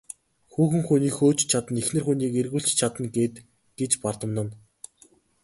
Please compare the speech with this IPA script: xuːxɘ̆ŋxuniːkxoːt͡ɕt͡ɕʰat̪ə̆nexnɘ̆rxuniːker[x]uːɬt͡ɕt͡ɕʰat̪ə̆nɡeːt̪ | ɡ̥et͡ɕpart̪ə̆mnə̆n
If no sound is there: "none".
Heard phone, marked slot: ɣ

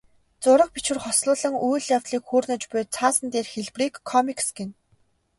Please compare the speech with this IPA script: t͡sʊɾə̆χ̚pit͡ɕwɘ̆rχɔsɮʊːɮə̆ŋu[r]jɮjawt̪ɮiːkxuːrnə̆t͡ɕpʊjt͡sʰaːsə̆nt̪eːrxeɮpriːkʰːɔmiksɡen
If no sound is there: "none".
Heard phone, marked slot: none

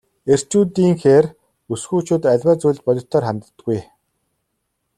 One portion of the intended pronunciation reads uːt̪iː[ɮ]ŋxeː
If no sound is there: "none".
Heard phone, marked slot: none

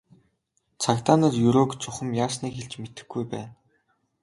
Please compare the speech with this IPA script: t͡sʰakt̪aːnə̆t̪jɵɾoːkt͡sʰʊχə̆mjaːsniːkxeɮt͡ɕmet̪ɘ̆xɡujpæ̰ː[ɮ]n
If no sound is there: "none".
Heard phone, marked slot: none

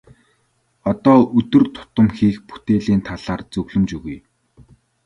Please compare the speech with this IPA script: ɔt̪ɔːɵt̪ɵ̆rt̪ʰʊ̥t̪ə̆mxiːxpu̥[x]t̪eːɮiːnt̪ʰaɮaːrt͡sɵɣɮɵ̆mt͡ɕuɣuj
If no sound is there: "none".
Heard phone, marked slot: none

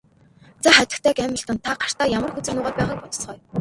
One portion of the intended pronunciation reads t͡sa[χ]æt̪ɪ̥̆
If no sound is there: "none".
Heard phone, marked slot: χ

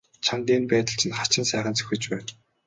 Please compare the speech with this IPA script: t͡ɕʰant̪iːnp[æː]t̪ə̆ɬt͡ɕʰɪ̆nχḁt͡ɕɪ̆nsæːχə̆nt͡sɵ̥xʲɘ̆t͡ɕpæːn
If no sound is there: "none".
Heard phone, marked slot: æː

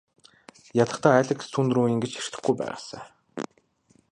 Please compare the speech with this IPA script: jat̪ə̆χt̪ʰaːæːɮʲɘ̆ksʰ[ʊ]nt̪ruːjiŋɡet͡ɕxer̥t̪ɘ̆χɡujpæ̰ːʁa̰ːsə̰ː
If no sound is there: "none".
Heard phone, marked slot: u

